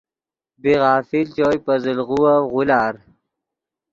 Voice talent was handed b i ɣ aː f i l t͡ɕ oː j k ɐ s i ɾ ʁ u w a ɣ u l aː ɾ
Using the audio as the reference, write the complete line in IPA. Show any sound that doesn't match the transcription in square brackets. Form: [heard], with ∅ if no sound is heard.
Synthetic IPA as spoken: b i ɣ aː f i l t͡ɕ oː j [p] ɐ [z] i [l] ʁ u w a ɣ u l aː ɾ